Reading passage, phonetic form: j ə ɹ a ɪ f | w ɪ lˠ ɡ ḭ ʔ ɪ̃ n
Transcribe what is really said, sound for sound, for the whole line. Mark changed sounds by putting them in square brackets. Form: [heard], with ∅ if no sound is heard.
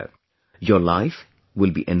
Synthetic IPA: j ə [l] a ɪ f | w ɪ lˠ [b] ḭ ʔ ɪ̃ n